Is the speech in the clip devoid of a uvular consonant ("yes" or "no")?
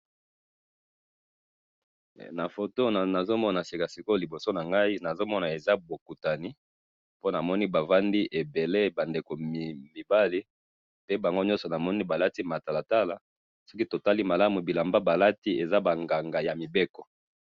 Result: yes